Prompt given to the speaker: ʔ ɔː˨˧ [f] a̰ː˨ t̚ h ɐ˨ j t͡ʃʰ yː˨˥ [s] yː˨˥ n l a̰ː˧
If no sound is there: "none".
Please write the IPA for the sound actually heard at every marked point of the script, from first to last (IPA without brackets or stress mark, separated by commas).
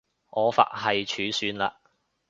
f, s